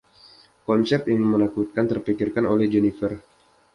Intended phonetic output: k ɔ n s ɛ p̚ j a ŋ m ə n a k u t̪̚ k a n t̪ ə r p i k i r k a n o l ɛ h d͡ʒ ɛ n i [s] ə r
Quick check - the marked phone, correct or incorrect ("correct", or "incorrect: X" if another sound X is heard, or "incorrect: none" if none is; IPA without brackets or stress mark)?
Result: incorrect: f